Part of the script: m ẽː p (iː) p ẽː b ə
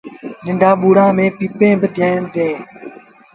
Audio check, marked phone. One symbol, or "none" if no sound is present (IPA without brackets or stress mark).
iː